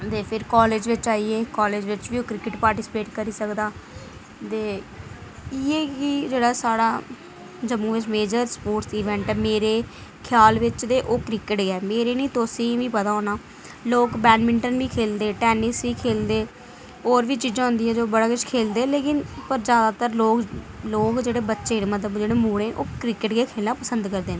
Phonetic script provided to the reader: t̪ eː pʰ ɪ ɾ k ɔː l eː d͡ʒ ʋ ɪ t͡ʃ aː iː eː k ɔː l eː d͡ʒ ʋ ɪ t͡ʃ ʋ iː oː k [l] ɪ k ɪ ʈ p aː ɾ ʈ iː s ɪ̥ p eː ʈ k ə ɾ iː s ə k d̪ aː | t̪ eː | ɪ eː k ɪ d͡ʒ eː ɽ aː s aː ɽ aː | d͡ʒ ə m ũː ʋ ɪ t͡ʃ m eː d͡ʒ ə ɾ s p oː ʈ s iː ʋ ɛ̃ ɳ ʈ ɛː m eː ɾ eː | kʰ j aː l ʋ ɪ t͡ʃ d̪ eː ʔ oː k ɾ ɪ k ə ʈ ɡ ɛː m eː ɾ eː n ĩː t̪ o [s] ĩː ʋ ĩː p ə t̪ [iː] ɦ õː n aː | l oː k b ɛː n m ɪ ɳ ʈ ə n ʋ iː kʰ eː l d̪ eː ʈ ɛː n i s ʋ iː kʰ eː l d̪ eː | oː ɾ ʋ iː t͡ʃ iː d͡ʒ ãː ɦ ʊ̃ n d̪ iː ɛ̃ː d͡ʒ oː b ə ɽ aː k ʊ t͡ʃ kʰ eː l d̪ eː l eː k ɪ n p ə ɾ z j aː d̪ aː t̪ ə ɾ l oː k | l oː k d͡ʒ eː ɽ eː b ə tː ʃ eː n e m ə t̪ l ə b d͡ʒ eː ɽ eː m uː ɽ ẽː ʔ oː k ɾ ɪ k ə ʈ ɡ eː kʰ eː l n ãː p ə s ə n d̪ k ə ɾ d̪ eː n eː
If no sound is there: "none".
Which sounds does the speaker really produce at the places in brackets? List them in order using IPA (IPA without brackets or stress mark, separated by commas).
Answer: ɾ, s, aː